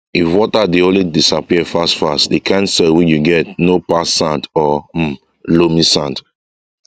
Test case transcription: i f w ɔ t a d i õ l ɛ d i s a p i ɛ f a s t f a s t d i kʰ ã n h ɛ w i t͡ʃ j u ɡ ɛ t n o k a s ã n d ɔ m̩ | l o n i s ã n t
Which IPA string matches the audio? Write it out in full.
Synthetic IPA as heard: i f w ɔ t a d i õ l i d i s a p i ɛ f a s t f a s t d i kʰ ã n s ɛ w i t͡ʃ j u ɡ ɛ t n o p a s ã n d ɔ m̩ | l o m i s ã n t